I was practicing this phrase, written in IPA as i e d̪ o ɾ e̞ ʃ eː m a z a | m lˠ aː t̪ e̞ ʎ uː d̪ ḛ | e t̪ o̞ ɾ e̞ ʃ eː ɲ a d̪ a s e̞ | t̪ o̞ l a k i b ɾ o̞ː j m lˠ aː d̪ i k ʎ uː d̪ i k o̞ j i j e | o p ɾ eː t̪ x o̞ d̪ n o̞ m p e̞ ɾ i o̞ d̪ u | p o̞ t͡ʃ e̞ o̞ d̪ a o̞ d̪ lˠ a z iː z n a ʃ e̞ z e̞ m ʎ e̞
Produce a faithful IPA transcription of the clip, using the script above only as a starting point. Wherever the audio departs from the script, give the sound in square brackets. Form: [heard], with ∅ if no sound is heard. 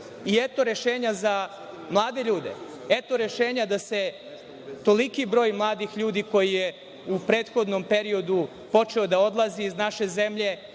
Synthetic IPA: i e [t̪] o ɾ e̞ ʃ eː [ɲ] a z a | m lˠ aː [d̪] e̞ ʎ uː d̪ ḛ | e t̪ o̞ ɾ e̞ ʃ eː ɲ a d̪ a s e̞ | t̪ o̞ l [i] k i b ɾ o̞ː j m lˠ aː d̪ i [x] ʎ uː d̪ i k o̞ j i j e | [u] p ɾ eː t̪ x o̞ d̪ n o̞ m p e̞ ɾ i o̞ d̪ u | p o̞ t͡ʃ e̞ o̞ d̪ a o̞ d̪ lˠ a z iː z n a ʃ e̞ z e̞ m ʎ e̞